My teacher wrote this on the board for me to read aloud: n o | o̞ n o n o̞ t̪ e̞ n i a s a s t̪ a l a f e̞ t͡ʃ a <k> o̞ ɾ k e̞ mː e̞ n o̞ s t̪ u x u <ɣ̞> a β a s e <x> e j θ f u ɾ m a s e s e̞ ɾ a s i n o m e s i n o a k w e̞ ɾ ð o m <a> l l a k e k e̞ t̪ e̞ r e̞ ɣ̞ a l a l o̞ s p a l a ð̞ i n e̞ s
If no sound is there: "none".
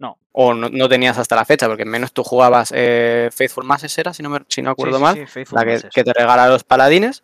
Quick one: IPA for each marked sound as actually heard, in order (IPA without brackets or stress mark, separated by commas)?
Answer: p, ɣ̞, f, a